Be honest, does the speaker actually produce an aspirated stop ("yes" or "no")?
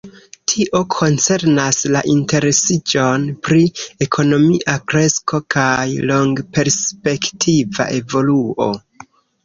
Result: yes